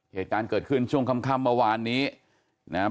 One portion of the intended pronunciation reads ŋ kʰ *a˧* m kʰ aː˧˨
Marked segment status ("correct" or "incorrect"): correct